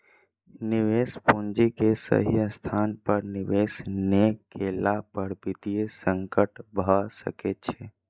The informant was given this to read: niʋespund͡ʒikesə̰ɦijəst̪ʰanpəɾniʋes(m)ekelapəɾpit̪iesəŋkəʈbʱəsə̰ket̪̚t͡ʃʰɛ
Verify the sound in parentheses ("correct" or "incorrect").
incorrect